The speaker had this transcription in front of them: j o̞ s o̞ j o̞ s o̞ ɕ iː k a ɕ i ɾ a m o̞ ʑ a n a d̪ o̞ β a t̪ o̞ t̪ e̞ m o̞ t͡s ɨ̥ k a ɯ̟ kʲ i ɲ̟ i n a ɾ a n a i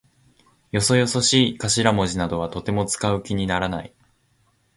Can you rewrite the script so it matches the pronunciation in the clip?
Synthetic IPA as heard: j o̞ s o̞ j o̞ s o̞ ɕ iː k a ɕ i ɾ a m o̞ ʑ i n a d̪ o̞ β a t̪ o̞ t̪ e̞ m o̞ t͡s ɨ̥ k a ɯ̟ kʲ i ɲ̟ i n a ɾ a n a i